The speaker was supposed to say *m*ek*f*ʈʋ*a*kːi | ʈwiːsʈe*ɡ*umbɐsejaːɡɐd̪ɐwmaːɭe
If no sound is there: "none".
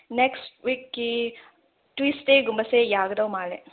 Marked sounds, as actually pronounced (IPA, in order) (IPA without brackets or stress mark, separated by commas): n, s, i, ɡ